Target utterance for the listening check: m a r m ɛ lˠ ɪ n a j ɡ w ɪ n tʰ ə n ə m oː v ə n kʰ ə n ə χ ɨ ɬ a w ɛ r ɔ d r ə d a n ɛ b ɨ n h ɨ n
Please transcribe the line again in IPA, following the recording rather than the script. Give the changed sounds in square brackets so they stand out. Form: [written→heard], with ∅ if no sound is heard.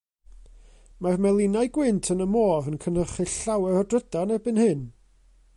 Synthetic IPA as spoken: m a r m ɛ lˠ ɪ n a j ɡ w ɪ n tʰ ə n ə m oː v ə n kʰ ə n ə χ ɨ ɬ a w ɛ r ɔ d r ə d a n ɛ b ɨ n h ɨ n